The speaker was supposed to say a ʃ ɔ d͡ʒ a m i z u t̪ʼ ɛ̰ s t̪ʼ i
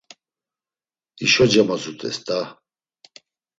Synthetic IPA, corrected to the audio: i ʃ ɔ d͡ʒ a m a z u t̪ʼ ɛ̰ s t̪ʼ a